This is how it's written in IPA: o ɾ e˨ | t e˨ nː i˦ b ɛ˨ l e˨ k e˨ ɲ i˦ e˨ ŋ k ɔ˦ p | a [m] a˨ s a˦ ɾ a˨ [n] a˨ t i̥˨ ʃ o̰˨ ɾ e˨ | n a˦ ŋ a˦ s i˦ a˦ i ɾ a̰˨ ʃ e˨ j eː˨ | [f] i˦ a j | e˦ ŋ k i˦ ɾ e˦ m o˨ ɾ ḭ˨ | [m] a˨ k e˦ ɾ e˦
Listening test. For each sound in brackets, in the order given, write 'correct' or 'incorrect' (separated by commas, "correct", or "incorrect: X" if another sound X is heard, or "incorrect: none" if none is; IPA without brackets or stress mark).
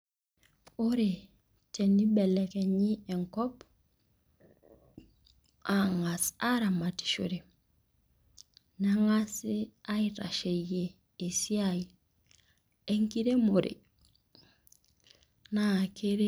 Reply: incorrect: ŋ, incorrect: m, incorrect: s, incorrect: n